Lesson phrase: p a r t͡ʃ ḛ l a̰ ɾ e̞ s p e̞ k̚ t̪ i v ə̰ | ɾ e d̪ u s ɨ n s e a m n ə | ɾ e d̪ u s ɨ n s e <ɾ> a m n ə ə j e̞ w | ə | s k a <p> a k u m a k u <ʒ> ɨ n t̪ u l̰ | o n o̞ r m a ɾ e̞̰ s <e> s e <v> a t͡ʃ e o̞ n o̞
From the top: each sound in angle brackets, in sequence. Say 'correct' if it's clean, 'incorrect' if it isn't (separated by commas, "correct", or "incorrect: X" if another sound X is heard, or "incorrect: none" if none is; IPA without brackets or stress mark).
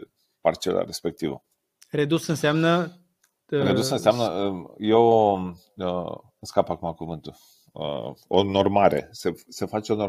incorrect: none, correct, incorrect: v, correct, incorrect: f